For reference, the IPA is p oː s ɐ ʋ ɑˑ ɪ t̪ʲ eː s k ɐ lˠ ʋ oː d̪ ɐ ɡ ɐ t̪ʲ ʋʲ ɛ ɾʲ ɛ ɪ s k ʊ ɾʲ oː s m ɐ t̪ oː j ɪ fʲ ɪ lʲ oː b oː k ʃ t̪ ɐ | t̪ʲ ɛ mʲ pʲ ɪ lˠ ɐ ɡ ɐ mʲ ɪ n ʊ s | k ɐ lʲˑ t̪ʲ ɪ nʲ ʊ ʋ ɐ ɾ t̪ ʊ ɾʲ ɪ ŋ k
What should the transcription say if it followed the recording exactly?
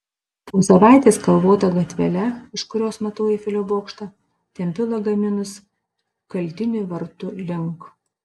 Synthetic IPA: p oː s ɐ ʋ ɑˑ ɪ t̪ʲ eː s k ɐ lˠ ʋ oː t̪ ɐ ɡ ɐ t̪ʲ ʋʲ ɛ lʲ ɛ ɪ ʃ k ʊ ɾʲ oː s m ɐ t̪ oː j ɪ fʲ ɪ lʲ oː b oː k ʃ t̪ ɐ | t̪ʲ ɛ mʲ pʲ ɪ lˠ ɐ ɡ ɐ mʲ ɪ n ʊ s | k ɐ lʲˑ t̪ʲ ɪ nʲ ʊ ʋ ɐ ɾ t̪ ʊ lʲ ɪ ŋ k